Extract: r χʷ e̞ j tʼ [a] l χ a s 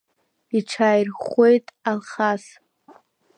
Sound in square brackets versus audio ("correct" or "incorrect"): correct